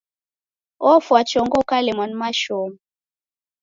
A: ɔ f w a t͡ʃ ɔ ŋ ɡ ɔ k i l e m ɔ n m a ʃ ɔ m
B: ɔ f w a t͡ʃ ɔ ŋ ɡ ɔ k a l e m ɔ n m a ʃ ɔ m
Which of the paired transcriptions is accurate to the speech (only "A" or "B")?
B